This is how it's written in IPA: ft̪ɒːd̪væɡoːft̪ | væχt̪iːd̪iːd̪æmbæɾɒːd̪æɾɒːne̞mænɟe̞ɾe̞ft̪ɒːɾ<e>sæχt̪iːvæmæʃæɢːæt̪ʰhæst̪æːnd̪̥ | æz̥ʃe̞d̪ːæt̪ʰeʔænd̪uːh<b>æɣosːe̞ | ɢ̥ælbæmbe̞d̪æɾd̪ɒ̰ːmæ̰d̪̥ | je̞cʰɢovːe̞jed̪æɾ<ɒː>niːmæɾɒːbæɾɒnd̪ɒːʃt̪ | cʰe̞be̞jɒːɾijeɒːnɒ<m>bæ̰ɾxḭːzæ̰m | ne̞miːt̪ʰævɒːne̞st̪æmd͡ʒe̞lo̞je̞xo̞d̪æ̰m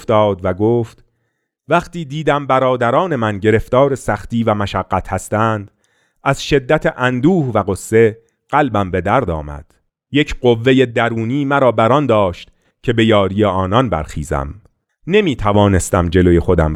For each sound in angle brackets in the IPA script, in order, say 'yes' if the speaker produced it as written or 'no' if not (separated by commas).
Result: yes, no, no, no